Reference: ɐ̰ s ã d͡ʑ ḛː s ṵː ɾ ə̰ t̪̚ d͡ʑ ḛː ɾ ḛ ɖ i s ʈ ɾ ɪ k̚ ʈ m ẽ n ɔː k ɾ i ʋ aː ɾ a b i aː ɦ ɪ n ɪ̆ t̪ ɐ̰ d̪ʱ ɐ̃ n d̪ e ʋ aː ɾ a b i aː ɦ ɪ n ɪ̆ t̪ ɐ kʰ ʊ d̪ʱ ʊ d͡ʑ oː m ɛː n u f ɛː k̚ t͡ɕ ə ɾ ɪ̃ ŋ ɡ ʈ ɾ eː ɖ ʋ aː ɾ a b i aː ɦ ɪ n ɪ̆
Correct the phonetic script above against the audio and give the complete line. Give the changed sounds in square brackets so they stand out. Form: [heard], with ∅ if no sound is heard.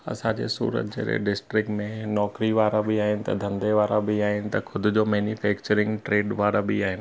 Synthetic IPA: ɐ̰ s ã d͡ʑ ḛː s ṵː ɾ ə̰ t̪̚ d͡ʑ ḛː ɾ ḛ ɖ [ɪ] s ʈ ɾ ɪ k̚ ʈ m ẽ n ɔː k ɾ i ʋ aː ɾ a b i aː ɦ ɪ n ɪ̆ t̪ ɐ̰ d̪ʱ ɐ̃ n d̪ e ʋ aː ɾ a b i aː ɦ ɪ n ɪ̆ t̪ ɐ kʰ ʊ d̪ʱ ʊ d͡ʑ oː m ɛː n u f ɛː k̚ t͡ɕ ə ɾ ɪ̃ ŋ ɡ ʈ ɾ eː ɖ ʋ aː ɾ a b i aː ɦ ɪ n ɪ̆

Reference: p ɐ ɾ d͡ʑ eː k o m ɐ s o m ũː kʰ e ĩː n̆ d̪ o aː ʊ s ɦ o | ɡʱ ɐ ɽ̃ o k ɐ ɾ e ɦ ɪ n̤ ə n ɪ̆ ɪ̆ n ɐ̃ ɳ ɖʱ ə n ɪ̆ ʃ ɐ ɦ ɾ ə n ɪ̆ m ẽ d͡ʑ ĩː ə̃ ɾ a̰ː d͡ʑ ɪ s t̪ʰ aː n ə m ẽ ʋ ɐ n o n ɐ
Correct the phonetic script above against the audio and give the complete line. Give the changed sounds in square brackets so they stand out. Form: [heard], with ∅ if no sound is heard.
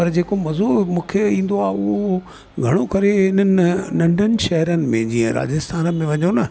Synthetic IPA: p ɐ ɾ d͡ʑ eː k o m ɐ [z] o m ũː kʰ e ĩː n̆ d̪ o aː ʊ [∅] ɦ o | ɡʱ ɐ ɽ̃ o k ɐ ɾ e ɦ ɪ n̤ ə n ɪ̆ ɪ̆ n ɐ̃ ɳ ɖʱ ə n ɪ̆ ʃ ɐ ɦ ɾ ə n ɪ̆ m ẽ d͡ʑ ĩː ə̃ ɾ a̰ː d͡ʑ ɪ s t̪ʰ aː n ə m ẽ ʋ ɐ [ɲ] o n ɐ

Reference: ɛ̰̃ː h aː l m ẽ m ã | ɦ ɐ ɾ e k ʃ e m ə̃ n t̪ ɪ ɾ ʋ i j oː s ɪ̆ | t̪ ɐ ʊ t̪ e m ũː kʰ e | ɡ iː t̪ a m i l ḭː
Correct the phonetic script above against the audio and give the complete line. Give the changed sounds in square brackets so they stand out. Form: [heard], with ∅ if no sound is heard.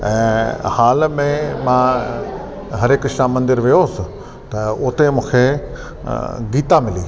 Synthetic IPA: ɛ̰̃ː h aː l m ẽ m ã | ɦ ɐ ɾ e k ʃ [a] m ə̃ n [d̪] ɪ ɾ ʋ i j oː s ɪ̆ | t̪ ɐ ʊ t̪ e m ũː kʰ e | ɡ iː t̪ a m [ɪ] l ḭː

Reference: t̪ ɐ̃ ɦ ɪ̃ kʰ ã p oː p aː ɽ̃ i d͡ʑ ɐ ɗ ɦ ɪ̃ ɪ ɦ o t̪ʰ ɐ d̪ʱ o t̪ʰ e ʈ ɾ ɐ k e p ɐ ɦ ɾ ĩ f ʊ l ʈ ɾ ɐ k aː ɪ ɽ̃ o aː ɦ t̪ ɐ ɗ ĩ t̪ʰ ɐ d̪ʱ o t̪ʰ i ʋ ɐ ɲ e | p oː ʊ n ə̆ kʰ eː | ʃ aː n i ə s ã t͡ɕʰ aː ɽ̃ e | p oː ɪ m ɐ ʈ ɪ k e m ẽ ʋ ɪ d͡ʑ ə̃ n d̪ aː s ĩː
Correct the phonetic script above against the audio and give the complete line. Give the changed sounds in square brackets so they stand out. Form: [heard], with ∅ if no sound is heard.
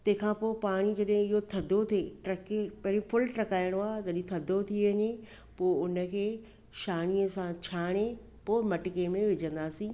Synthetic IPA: t̪ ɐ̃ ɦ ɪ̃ kʰ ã p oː p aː ɽ̃ i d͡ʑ ɐ ɗ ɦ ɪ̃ ɪ ɦ o t̪ʰ ɐ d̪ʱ o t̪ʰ e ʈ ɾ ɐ k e p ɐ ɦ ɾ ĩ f ʊ l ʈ ɾ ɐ k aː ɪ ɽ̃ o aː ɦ t̪ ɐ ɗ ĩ t̪ʰ ɐ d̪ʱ o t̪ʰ i ʋ ɐ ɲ e | p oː ʊ n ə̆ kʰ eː | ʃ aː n i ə s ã t͡ɕʰ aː ɽ̃ e | p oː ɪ m ɐ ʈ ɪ k e m ẽ ʋ ɪ d͡ʑ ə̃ n d̪ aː s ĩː

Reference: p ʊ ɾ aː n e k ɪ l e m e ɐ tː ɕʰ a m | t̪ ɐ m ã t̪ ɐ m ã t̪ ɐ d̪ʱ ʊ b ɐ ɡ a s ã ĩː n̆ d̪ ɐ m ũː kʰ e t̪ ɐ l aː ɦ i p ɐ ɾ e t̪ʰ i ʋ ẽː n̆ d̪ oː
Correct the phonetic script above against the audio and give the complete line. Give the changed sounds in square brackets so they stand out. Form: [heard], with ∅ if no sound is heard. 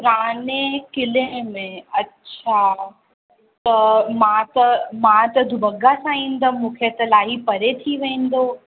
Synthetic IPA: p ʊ ɾ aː n e k ɪ l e m [ẽ] ɐ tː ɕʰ a [∅] | t̪ ɐ m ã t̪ ɐ m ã t̪ ɐ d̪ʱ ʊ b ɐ ɡ a s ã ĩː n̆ d̪ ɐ m ũː kʰ e t̪ ɐ l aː ɦ i p ɐ ɾ e t̪ʰ i ʋ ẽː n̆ d̪ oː

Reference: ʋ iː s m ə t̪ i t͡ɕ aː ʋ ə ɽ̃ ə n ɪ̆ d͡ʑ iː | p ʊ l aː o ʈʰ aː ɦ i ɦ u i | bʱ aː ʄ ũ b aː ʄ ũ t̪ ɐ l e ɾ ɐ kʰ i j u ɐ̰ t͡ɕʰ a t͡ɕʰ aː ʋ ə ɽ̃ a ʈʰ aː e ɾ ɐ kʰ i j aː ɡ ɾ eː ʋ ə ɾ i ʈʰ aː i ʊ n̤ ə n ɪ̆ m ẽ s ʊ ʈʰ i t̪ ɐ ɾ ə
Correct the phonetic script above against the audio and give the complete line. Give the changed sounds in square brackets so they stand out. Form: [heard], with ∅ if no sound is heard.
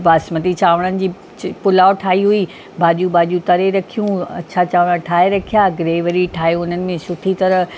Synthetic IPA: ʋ [aː] s m ə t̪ i t͡ɕ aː ʋ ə ɽ̃ ə n ɪ̆ d͡ʑ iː | p ʊ l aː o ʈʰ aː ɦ i ɦ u i | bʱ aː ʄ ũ b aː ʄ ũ t̪ ɐ [ɾ] e ɾ ɐ kʰ i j [ũ] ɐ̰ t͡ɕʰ a [t͡ɕ] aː ʋ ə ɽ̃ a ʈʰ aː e ɾ ɐ kʰ i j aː ɡ ɾ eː ʋ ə ɾ i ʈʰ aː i ʊ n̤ ə n ɪ̆ m ẽ s ʊ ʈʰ i t̪ ɐ ɾ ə

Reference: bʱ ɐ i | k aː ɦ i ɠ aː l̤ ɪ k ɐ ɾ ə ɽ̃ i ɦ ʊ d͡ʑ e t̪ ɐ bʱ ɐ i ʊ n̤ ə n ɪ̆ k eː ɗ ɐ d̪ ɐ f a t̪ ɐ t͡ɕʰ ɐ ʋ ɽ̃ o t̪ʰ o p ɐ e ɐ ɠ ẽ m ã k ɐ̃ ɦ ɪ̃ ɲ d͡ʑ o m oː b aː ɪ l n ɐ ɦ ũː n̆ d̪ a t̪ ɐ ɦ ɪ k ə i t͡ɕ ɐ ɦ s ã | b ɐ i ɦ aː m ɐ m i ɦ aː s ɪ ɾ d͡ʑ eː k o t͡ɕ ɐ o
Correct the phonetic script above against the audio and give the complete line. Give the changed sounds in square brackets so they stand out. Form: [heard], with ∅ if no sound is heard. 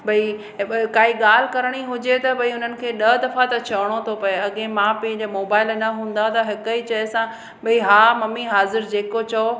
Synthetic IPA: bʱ ɐ i | k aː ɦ i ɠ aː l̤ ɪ k ɐ ɾ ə ɽ̃ i ɦ ʊ d͡ʑ e t̪ ɐ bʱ ɐ i ʊ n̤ ə n ɪ̆ [kʰ] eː ɗ ɐ d̪ ɐ f a t̪ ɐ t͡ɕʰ ɐ ʋ ɽ̃ o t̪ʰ o p ɐ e ɐ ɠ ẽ m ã [p] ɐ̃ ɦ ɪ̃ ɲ d͡ʑ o m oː b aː ɪ l n ɐ ɦ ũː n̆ d̪ a t̪ ɐ ɦ ɪ k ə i t͡ɕ ɐ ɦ s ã | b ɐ i ɦ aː m ɐ m i ɦ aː [z] ɪ ɾ d͡ʑ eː k o t͡ɕ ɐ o

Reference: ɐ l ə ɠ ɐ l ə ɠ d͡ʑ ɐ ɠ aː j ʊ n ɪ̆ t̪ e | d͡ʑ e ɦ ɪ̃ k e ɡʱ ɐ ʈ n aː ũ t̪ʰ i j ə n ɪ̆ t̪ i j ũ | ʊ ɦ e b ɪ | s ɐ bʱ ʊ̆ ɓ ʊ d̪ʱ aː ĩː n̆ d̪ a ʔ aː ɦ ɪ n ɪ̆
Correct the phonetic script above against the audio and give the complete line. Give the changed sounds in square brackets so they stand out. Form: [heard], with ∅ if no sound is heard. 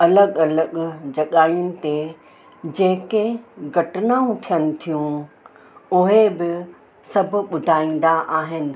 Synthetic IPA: ɐ l ə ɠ ɐ l ə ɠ d͡ʑ ɐ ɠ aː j ʊ n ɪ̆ t̪ e | d͡ʑ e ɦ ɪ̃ k e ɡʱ ɐ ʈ n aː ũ t̪ʰ i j ə n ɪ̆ [t̪ʰ] i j ũ | ʊ ɦ e b ɪ | s ɐ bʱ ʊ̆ ɓ ʊ d̪ʱ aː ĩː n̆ d̪ a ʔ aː ɦ ɪ n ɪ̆

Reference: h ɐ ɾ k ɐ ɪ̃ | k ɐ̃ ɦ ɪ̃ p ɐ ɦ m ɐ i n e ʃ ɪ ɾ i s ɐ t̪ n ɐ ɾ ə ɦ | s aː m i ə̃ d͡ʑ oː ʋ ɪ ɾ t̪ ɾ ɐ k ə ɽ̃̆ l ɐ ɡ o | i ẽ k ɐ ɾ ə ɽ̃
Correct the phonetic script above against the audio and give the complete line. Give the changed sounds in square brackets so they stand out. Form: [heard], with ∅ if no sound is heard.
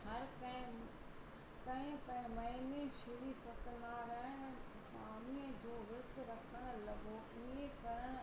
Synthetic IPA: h ɐ ɾ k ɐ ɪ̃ | k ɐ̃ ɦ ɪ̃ p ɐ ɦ m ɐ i n e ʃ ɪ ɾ i s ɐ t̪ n [a] ɾ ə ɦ | s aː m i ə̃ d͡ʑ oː ʋ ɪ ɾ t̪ ɾ ɐ [kʰ] ə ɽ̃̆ l ɐ ɡ o | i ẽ k ɐ ɾ ə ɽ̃

